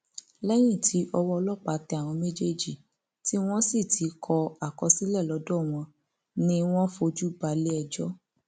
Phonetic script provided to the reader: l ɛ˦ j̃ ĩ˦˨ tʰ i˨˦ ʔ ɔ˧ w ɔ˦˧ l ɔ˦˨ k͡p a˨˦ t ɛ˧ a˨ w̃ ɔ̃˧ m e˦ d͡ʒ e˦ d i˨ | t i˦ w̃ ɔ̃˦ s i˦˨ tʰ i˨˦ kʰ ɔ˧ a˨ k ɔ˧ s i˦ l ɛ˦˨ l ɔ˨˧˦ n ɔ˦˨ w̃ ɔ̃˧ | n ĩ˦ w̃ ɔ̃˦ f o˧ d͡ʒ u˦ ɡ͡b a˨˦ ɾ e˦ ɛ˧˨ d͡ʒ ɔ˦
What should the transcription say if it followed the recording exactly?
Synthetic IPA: l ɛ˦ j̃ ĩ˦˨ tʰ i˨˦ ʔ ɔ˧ w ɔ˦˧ l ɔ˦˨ k͡p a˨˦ t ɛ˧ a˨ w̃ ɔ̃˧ m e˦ d͡ʒ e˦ d͡ʒ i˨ | t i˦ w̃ ɔ̃˦ s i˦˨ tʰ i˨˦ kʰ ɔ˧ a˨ k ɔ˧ s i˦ l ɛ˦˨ l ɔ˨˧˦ d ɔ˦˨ w̃ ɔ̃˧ | n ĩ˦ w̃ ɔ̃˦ f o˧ d͡ʒ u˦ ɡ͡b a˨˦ l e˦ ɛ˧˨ d͡ʒ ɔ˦